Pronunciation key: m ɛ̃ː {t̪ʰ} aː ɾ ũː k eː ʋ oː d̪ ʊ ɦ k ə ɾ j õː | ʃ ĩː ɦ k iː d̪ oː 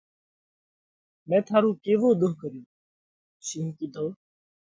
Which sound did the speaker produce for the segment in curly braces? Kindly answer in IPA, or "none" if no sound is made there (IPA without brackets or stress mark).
t̪ʰ